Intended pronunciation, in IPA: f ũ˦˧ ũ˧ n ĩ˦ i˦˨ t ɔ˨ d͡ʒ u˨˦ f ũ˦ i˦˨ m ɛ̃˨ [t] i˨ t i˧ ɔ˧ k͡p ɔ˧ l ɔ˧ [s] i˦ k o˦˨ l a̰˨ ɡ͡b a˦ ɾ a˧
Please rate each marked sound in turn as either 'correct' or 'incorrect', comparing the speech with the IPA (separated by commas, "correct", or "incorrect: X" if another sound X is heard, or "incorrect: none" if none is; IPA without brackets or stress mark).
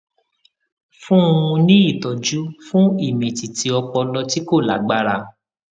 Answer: correct, incorrect: t